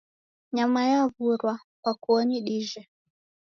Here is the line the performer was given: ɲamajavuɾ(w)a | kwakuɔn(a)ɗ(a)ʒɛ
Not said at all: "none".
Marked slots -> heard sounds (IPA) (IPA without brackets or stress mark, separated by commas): w, i, i